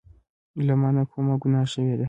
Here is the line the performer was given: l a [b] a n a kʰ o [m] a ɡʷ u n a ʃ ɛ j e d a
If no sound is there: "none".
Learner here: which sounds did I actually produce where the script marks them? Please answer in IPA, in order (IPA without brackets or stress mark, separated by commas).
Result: m, m